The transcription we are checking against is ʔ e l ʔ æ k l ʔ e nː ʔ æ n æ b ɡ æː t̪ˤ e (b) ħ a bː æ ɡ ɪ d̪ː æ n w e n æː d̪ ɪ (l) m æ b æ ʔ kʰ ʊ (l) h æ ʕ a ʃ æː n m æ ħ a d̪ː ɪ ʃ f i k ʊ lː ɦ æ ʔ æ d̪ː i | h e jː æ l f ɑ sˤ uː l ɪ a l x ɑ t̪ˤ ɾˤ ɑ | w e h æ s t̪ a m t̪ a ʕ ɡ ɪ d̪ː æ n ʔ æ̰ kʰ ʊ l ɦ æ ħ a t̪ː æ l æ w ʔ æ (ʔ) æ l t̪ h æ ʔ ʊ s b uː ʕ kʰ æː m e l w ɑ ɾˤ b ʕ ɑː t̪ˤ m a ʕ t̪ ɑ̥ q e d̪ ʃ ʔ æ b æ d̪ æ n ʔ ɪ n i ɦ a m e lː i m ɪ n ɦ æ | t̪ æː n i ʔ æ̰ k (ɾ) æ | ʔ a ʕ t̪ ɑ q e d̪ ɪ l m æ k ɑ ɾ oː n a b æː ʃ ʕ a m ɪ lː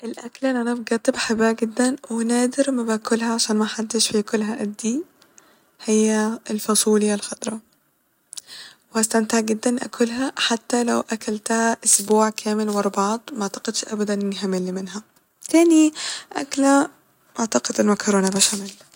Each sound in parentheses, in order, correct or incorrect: correct, incorrect, correct, incorrect, incorrect

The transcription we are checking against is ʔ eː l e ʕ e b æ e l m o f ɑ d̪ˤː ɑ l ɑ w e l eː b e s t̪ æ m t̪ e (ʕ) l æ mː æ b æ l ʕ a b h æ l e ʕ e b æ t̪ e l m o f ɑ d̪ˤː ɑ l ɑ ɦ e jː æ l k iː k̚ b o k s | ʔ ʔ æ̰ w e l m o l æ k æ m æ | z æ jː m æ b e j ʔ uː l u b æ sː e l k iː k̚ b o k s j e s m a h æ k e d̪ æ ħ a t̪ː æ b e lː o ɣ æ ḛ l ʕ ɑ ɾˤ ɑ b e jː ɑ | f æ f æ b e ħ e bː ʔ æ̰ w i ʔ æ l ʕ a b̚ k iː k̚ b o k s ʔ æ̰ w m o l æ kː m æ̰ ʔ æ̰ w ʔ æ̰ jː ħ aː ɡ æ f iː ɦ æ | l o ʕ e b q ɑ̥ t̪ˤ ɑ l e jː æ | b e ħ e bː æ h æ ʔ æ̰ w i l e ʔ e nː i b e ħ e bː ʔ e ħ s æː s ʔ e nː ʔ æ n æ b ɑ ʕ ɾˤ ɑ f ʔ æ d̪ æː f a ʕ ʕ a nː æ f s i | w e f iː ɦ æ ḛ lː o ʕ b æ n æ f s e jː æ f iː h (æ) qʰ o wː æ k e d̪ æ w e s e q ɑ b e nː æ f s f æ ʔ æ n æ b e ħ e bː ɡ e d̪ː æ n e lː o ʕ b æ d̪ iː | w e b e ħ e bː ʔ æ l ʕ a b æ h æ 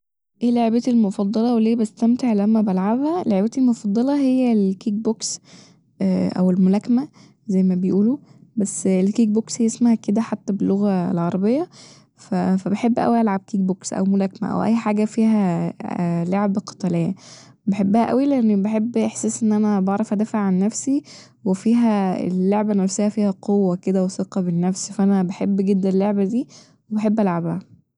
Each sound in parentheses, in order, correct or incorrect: correct, correct

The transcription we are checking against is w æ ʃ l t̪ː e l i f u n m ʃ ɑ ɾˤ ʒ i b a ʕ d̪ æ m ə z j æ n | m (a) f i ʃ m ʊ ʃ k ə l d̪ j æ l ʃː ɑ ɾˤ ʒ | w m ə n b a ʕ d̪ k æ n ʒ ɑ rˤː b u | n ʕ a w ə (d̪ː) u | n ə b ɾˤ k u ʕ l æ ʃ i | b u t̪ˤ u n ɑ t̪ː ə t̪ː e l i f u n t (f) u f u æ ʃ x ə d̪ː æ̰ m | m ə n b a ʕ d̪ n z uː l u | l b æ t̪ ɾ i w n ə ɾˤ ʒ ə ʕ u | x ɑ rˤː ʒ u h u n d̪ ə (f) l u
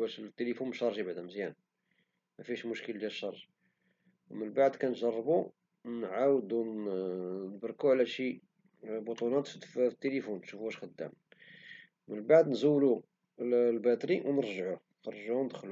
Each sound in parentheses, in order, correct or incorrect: incorrect, incorrect, incorrect, incorrect

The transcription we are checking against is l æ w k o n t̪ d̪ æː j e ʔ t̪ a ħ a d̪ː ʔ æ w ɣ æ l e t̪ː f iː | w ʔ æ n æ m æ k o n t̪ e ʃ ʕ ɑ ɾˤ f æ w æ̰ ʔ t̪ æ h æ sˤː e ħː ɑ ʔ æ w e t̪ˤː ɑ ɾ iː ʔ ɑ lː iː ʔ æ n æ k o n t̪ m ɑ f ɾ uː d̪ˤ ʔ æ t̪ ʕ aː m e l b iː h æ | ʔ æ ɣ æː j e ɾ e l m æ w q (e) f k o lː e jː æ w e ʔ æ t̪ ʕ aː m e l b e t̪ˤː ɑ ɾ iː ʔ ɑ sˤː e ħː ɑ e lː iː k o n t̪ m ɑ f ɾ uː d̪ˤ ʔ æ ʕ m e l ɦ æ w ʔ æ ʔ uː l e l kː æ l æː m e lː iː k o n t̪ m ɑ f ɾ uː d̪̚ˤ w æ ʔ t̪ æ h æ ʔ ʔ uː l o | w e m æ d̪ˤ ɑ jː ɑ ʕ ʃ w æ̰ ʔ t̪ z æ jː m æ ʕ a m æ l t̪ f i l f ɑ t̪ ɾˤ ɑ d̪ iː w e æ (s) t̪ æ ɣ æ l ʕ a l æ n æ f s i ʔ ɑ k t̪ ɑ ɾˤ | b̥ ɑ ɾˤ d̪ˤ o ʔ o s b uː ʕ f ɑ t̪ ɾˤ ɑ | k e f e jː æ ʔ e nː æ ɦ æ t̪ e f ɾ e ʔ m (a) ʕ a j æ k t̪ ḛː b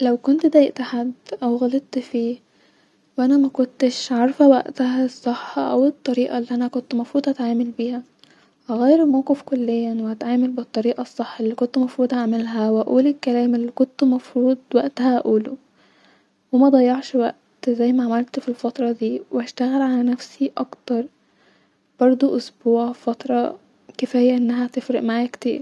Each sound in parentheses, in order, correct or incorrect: correct, incorrect, correct

